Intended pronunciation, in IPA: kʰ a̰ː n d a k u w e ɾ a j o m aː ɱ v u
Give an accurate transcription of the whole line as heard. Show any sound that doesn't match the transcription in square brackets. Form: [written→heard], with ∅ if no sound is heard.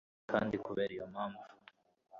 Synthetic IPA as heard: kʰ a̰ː n d [a→i] k u [w→β] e ɾ [a→i] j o m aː ɱ v u